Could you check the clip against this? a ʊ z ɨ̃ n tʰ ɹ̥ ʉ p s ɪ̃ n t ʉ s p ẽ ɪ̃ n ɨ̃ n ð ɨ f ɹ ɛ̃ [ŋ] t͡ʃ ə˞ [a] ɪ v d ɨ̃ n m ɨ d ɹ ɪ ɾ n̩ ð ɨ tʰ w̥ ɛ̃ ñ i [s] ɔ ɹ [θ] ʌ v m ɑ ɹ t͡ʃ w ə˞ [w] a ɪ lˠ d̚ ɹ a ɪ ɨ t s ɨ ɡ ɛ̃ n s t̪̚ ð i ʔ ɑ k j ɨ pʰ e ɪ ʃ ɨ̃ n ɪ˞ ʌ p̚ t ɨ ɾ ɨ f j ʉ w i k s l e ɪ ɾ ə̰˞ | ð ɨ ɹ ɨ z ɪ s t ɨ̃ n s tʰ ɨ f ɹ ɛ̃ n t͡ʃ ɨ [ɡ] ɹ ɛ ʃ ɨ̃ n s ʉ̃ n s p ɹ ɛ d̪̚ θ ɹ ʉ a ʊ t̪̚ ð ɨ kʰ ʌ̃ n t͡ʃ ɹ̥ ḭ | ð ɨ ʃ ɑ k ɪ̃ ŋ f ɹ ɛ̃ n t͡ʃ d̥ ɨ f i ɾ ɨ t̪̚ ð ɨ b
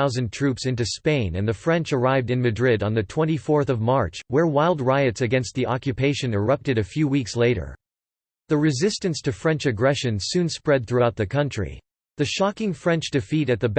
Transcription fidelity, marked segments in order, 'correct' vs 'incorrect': incorrect: n, correct, incorrect: f, correct, correct, correct

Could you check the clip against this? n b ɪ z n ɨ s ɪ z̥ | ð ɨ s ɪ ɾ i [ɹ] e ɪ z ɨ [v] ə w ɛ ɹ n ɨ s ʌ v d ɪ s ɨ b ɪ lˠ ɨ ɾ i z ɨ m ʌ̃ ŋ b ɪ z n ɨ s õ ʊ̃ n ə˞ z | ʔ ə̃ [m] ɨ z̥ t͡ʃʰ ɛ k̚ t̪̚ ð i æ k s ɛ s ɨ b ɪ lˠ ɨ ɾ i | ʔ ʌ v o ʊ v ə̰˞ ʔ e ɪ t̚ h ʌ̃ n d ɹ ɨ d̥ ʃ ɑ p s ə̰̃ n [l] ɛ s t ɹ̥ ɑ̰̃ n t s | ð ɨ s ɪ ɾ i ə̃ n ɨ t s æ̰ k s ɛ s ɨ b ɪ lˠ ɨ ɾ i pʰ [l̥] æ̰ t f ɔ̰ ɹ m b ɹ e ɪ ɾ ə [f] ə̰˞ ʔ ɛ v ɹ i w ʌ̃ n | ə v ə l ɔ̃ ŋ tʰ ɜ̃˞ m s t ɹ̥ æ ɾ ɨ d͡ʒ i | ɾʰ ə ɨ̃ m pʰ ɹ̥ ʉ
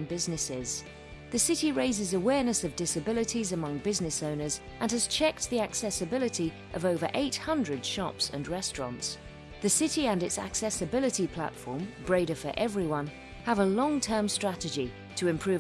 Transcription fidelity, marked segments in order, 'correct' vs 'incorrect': correct, incorrect: z, incorrect: n, incorrect: ɹ, correct, correct

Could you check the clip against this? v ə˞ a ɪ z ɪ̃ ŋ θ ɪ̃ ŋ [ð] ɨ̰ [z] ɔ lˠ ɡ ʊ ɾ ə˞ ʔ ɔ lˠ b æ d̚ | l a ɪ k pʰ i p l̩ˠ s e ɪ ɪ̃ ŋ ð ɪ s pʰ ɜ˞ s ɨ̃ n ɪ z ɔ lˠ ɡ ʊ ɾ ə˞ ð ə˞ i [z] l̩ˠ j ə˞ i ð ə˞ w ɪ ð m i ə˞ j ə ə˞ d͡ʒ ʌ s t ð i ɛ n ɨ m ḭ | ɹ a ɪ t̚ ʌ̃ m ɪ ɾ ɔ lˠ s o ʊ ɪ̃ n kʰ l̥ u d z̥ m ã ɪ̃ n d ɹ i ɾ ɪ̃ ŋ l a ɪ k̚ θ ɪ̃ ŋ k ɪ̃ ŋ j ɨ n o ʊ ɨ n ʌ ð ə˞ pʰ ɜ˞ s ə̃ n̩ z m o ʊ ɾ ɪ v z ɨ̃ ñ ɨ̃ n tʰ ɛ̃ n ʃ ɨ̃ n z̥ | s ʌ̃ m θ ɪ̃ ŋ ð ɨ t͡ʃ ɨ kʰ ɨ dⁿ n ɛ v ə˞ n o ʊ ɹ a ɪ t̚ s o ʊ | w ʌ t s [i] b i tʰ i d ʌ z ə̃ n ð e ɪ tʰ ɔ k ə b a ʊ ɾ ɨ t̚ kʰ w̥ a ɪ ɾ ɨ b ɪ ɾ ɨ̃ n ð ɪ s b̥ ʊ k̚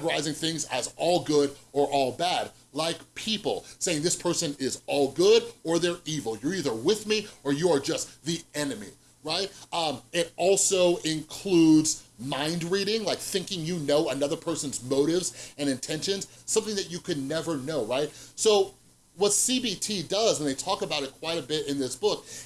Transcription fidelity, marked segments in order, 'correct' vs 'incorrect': incorrect: z, correct, incorrect: v, correct

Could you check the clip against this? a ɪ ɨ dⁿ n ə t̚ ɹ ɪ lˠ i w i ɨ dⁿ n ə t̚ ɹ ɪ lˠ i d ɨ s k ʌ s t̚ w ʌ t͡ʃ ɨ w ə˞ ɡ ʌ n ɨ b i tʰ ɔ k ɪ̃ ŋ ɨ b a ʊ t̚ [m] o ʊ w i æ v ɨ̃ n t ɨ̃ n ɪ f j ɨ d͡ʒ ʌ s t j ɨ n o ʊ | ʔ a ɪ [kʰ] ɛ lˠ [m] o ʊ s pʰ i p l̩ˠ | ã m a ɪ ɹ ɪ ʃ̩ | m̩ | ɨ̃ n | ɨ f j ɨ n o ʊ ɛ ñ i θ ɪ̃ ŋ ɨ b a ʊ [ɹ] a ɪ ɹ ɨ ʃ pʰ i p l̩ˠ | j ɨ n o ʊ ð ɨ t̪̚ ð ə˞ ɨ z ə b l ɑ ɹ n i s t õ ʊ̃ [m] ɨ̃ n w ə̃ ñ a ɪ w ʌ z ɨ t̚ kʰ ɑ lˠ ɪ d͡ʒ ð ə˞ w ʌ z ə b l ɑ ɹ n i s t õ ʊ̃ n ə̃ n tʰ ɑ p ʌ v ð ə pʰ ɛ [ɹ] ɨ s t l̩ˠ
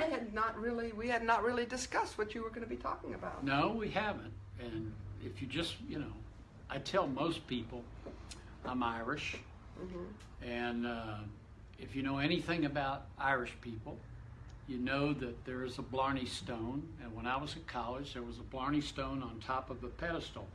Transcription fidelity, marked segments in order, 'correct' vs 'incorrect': incorrect: n, incorrect: tʰ, correct, incorrect: ɾ, incorrect: n, incorrect: ɾ

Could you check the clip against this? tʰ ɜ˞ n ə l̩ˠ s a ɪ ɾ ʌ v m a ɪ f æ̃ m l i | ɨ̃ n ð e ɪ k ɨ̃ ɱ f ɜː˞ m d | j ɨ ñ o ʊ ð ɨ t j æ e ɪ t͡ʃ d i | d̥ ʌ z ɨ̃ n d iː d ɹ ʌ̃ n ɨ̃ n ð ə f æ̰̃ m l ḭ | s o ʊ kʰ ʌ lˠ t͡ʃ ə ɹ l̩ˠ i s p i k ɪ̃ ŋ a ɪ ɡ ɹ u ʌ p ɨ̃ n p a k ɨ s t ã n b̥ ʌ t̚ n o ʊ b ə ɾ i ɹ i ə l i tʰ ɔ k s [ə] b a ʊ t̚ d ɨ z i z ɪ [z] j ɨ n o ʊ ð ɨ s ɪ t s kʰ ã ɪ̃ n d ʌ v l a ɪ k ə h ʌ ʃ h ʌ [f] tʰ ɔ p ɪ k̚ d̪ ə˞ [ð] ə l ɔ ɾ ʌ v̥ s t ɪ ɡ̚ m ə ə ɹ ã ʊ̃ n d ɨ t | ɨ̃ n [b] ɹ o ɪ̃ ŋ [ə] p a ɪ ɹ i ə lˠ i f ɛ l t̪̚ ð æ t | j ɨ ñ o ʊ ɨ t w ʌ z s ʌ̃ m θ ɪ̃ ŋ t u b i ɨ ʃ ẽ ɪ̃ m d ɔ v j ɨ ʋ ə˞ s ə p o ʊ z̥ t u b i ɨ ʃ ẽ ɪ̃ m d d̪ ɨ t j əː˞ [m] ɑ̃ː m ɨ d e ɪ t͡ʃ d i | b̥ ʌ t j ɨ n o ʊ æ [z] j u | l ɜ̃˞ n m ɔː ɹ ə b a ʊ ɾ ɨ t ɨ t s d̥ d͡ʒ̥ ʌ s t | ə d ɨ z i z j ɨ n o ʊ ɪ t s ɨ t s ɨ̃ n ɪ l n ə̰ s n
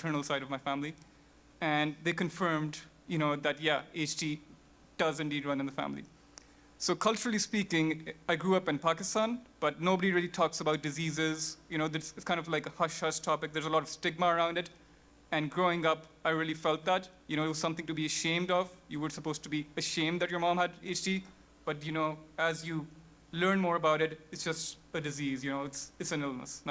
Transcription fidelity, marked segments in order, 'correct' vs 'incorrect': correct, correct, incorrect: ʃ, incorrect: z, incorrect: ɡ, incorrect: ʌ, correct, correct

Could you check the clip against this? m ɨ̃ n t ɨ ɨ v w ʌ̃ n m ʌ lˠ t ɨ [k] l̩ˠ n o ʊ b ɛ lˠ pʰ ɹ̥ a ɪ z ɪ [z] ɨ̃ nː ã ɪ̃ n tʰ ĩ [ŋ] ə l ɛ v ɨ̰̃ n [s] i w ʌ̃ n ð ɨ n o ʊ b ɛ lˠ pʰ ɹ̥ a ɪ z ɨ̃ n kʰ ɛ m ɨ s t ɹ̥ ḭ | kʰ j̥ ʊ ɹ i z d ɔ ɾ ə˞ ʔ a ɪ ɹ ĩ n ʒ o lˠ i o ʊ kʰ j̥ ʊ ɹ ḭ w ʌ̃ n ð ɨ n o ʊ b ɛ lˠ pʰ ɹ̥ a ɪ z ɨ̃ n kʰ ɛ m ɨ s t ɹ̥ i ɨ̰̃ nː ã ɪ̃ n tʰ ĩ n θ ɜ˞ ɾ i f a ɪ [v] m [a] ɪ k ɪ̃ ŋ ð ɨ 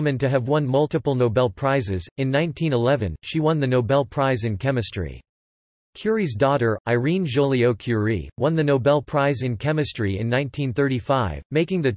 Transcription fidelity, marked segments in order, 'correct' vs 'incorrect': incorrect: p, correct, incorrect: n, incorrect: ʃ, correct, incorrect: e

